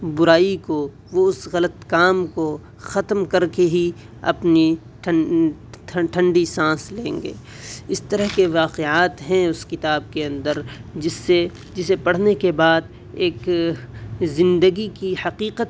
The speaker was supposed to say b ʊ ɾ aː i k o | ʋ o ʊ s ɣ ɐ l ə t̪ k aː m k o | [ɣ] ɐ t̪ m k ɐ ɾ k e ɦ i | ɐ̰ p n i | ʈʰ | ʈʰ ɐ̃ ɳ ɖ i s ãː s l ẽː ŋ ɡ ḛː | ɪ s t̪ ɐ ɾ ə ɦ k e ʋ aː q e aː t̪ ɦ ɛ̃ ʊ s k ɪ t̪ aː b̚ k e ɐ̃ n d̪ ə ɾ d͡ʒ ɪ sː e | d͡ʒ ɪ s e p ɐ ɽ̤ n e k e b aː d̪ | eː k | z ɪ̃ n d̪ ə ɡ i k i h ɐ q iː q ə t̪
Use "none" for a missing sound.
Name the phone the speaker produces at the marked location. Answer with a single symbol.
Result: x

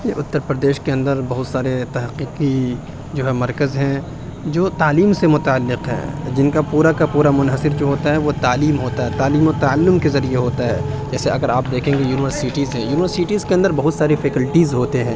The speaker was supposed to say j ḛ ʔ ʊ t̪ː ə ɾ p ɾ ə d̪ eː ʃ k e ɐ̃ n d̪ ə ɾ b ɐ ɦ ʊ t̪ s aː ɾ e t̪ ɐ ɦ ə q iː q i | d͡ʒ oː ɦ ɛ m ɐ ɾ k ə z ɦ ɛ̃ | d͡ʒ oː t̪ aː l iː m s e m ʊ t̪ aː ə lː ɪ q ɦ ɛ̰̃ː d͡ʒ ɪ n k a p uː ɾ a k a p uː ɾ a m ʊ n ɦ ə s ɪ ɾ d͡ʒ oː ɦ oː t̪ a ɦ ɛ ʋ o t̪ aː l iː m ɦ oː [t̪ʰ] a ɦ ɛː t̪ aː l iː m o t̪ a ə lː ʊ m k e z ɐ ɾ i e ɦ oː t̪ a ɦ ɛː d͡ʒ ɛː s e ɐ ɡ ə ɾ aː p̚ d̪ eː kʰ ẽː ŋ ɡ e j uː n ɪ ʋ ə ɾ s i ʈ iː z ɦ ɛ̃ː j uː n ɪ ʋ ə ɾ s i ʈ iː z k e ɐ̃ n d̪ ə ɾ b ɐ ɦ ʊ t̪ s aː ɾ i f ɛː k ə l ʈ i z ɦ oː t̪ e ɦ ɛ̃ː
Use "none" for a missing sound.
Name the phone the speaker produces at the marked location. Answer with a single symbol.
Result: t̪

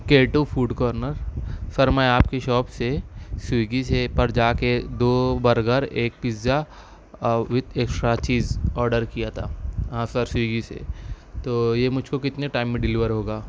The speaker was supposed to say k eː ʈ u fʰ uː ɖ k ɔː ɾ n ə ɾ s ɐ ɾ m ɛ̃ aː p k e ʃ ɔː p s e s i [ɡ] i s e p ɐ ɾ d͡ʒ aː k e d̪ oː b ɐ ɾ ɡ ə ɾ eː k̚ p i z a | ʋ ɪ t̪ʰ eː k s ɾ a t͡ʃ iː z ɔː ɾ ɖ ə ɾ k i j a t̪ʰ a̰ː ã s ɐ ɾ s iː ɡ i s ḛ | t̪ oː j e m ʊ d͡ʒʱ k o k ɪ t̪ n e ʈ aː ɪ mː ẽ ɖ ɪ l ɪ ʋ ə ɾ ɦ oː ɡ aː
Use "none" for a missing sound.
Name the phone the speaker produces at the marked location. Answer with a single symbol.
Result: ɡ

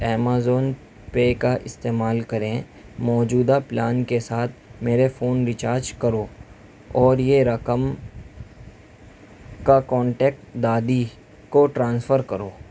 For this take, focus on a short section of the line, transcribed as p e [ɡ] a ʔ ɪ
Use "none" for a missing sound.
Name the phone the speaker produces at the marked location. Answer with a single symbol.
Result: k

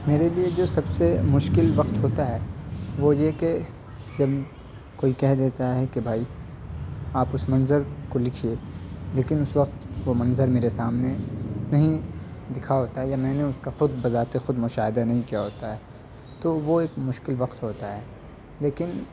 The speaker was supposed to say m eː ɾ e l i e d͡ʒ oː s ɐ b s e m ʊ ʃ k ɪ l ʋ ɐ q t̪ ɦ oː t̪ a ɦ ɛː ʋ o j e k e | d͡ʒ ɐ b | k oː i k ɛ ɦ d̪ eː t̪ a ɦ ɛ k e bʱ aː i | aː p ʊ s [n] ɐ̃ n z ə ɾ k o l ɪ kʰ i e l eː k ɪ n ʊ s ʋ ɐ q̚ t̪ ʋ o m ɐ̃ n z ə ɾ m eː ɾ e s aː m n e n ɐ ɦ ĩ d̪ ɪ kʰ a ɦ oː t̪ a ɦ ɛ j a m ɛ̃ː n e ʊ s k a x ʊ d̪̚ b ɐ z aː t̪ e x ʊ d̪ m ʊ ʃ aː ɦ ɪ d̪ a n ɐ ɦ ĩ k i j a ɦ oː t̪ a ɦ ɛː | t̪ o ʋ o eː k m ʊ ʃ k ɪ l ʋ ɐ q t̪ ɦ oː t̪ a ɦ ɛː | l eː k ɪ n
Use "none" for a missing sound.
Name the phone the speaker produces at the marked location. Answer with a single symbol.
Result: m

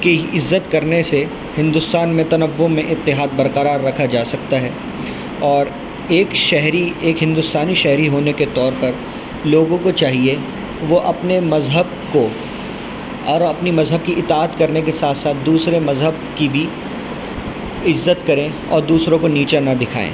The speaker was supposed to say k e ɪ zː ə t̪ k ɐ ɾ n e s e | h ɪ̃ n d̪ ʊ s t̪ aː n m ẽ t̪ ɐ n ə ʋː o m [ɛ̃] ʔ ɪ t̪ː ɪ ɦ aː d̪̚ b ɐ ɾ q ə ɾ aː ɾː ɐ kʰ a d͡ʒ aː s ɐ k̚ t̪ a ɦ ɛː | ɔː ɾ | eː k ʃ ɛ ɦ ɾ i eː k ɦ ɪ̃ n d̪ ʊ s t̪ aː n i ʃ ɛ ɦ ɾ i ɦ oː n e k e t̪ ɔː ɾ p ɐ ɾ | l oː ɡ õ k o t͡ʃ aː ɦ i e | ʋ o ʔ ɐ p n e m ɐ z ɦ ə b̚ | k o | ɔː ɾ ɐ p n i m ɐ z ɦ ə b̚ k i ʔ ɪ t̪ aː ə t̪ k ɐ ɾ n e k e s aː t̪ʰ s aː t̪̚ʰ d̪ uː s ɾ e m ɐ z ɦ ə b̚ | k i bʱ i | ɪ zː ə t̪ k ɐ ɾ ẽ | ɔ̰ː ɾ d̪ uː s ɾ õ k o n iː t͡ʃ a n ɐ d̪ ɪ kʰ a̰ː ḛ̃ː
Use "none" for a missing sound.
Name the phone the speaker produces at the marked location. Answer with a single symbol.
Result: ẽ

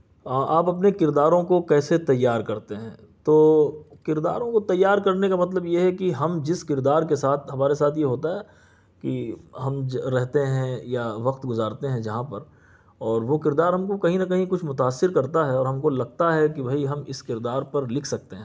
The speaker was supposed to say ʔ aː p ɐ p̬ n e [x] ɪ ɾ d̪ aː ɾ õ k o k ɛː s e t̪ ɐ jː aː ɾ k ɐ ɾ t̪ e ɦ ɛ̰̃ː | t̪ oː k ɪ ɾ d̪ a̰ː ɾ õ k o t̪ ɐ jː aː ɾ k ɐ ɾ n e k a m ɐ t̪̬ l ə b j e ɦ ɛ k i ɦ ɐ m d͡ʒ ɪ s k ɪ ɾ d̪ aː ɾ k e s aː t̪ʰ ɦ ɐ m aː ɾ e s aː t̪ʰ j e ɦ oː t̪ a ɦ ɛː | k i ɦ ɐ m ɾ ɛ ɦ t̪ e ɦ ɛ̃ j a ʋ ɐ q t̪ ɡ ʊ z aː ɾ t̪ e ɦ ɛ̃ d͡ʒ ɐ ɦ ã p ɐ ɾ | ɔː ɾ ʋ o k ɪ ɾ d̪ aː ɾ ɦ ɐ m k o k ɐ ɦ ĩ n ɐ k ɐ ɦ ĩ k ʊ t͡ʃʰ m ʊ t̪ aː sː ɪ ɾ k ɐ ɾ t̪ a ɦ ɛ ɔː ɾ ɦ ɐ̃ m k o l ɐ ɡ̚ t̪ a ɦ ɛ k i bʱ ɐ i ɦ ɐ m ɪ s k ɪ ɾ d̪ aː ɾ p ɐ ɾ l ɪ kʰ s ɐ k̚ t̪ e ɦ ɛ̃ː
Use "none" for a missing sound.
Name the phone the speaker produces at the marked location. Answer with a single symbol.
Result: k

